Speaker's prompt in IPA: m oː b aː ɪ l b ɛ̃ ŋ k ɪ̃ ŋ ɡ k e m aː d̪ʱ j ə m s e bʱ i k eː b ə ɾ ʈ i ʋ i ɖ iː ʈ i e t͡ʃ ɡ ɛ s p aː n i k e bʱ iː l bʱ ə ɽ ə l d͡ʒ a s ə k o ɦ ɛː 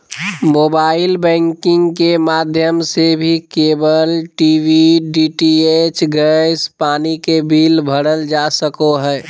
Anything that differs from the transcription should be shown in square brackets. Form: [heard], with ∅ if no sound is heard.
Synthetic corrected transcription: m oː b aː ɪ l b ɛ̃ ŋ k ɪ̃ ŋ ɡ k e m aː d̪ʱ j ə m s e bʱ i k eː b ə [l] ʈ i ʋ i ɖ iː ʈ i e t͡ʃ ɡ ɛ s p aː n i k e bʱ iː l bʱ ə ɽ ə l d͡ʒ a s ə k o ɦ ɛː